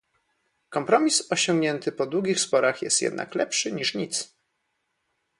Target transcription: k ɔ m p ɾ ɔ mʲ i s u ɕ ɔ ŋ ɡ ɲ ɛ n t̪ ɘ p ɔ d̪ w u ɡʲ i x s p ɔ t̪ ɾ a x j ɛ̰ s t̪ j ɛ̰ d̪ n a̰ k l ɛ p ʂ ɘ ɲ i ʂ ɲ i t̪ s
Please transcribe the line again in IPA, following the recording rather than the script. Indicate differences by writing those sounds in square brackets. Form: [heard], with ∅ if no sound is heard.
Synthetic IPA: k ɔ m p ɾ ɔ mʲ i s [ɔ] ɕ ɔ ŋ ɡ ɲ ɛ n t̪ ɘ p ɔ d̪ w u ɡʲ i x s p ɔ [∅] ɾ a x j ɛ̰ s t̪ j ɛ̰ d̪ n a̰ k l ɛ p ʂ ɘ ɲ i ʂ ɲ i t̪ s